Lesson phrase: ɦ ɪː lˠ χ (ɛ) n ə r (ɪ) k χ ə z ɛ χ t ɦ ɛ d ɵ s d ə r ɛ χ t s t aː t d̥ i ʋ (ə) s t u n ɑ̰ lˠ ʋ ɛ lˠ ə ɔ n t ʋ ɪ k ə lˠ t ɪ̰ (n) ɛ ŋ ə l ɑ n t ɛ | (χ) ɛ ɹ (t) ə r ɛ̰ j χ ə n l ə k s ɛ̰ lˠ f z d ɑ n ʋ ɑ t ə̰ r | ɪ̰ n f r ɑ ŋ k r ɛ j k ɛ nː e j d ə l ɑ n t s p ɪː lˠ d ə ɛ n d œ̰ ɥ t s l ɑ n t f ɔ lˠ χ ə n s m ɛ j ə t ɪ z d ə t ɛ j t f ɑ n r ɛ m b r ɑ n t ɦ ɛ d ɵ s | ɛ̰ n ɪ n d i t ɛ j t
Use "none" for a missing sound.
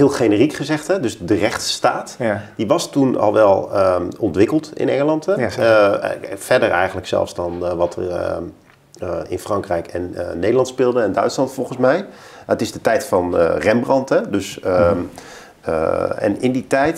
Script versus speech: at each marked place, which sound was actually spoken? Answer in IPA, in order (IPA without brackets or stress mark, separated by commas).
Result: e, i, ɑ, n, f, d